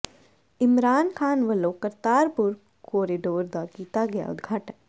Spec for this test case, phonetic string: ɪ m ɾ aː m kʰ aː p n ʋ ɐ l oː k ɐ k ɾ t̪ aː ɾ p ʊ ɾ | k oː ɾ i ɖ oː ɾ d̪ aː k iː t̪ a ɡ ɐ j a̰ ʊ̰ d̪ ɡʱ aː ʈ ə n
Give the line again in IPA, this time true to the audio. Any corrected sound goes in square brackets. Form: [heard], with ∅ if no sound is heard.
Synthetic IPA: ɪ m ɾ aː [n] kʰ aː [∅] n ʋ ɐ l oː k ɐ [∅] ɾ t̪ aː ɾ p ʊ ɾ | k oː ɾ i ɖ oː ɾ d̪ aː k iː t̪ a ɡ ɐ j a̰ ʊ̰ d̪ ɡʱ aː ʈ ə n